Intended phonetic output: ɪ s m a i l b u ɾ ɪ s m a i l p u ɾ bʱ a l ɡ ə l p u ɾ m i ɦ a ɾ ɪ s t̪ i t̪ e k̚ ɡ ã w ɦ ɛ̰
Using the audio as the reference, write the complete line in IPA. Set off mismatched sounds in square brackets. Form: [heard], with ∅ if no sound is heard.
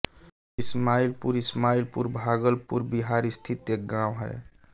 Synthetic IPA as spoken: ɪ s m a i l [p] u ɾ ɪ s m a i l p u ɾ bʱ a [∅] ɡ ə l p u ɾ [b] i ɦ a ɾ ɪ s [t̪ʰ] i t̪ e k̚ ɡ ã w ɦ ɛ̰